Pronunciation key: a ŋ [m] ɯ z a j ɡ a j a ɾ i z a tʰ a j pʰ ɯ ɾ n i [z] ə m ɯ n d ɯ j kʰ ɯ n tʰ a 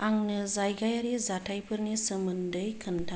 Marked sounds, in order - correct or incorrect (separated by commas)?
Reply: incorrect, incorrect